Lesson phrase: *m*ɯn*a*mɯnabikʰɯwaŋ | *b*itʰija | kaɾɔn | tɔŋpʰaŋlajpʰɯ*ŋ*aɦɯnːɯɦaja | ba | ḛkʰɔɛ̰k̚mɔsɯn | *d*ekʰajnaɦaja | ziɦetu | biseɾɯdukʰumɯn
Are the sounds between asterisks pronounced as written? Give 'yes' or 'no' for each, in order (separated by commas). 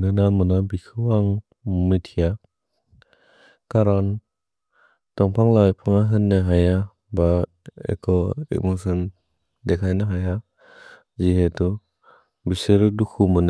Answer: no, yes, no, yes, yes